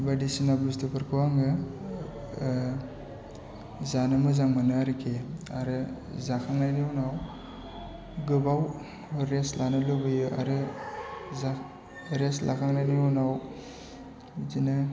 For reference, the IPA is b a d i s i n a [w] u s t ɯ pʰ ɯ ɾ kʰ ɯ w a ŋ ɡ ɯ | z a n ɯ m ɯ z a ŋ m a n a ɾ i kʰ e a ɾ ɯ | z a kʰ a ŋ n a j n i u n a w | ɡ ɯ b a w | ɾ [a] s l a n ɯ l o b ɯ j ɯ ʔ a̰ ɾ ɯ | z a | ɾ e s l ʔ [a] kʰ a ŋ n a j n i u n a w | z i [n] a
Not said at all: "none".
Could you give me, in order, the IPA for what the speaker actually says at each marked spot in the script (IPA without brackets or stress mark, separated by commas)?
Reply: b, e, a, n